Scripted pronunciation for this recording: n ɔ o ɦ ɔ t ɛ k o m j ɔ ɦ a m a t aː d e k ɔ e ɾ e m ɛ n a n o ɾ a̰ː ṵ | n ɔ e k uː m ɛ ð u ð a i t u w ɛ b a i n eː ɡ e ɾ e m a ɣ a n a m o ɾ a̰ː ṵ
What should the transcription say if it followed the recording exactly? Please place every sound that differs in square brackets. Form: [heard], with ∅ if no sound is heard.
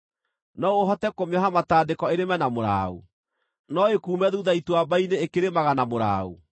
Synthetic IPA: n ɔ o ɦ ɔ t ɛ k o m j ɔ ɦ a m a t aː d e k ɔ e ɾ e m ɛ n a [m] o ɾ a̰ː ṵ | n ɔ e k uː m ɛ ð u ð a i t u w [a] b a i n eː [k] e ɾ e m a ɣ a n a m o ɾ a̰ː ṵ